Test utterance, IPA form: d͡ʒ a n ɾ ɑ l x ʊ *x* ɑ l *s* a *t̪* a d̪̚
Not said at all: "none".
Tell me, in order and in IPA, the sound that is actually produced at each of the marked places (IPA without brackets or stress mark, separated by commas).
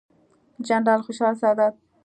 ʃ, s, d̪